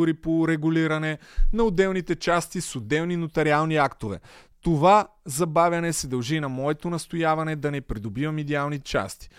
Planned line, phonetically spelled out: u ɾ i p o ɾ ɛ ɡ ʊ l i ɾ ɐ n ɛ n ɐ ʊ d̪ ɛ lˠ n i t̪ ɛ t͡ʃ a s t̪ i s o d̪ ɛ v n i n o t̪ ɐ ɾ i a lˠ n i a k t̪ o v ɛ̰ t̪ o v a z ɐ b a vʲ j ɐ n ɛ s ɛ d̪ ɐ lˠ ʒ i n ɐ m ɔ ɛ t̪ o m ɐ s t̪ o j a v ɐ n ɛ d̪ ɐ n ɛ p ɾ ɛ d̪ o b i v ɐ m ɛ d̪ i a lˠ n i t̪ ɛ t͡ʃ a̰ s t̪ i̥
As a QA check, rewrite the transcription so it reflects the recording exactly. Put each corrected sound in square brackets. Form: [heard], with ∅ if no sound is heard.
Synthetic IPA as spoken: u ɾ i p o ɾ ɛ ɡ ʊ l i ɾ ɐ n ɛ n ɐ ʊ d̪ ɛ lˠ n i t̪ ɛ t͡ʃ a s t̪ i s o d̪ ɛ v n i n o t̪ ɐ ɾ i a lˠ n i a k t̪ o v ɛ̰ t̪ o v a z ɐ b a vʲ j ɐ n ɛ s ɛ d̪ ɐ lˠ ʒ i n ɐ m ɔ ɛ t̪ o [n] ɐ s t̪ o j a v ɐ n ɛ d̪ ɐ n ɛ p ɾ [i] d̪ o b i v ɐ m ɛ d̪ i a lˠ n i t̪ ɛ t͡ʃ a̰ s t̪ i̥